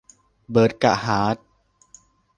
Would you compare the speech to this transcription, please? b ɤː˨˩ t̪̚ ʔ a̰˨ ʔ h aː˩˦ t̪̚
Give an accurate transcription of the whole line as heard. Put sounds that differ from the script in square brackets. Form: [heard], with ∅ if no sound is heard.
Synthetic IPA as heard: b ɤː˨˩ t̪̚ [k] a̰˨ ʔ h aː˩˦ t̪̚